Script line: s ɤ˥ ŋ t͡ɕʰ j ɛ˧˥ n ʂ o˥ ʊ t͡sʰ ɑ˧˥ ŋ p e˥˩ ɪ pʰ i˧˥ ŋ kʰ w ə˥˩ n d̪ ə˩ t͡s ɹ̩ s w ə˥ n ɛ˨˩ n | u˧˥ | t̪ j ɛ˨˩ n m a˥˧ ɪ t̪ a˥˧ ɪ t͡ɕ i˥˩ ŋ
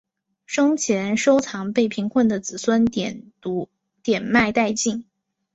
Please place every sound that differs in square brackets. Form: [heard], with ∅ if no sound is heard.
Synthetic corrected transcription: [ʂ] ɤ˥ ŋ t͡ɕʰ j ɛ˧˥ n ʂ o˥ ʊ t͡sʰ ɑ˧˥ ŋ p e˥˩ ɪ pʰ i˧˥ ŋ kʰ w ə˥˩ n d̪ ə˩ t͡s ɹ̩ s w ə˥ n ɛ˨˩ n | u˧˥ | t̪ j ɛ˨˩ n m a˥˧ ɪ t̪ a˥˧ ɪ t͡ɕ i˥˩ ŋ